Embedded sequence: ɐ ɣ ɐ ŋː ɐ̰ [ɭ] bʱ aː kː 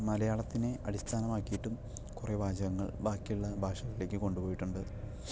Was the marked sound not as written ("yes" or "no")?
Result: no